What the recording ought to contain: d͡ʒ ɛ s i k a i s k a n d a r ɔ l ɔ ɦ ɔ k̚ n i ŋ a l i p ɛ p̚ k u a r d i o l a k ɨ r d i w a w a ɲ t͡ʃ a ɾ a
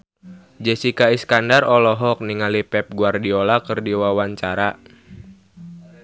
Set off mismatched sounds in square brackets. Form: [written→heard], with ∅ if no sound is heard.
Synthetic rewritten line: d͡ʒ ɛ s i k a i s k a n d a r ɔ l ɔ ɦ ɔ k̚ n i ŋ a l i p ɛ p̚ [k→ɡ] u a r d i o l a k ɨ r d i w a w a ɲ t͡ʃ a ɾ a